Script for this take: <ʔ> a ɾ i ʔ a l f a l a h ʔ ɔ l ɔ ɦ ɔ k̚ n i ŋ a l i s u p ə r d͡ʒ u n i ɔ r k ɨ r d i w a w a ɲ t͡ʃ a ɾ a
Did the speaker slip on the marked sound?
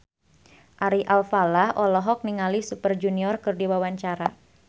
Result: no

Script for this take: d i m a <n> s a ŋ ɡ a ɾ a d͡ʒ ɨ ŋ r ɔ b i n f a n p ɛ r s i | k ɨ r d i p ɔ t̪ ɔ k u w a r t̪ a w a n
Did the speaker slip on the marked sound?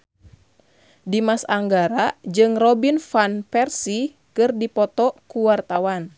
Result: yes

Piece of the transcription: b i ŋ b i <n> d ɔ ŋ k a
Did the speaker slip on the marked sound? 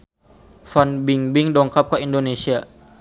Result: yes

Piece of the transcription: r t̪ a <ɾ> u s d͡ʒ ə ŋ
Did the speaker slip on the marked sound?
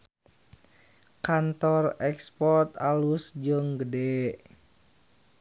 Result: yes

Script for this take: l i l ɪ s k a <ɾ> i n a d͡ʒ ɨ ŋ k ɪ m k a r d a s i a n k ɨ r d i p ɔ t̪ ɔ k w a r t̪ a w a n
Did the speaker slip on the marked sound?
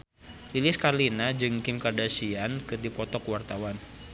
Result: yes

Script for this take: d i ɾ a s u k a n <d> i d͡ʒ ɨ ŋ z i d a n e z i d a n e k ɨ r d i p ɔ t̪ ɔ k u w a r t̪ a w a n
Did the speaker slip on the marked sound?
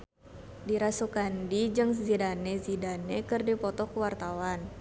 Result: no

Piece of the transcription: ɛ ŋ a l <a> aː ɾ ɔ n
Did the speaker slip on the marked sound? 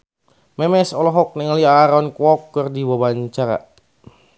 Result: yes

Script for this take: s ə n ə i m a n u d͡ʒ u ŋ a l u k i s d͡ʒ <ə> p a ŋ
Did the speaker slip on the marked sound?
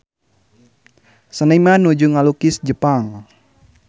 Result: no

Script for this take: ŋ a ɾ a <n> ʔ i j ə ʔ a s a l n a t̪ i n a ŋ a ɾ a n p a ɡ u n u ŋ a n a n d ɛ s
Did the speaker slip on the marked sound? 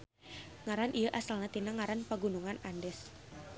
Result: no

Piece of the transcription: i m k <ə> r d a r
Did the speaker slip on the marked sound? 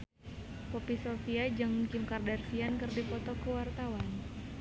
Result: yes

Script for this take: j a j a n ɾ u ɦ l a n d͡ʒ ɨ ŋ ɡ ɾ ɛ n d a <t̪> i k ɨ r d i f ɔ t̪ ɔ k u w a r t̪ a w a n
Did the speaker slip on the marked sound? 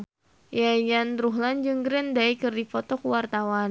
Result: yes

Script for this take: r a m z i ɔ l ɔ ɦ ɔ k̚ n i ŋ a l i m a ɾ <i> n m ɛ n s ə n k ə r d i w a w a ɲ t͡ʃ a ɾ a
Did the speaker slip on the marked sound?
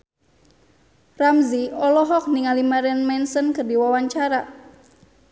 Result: yes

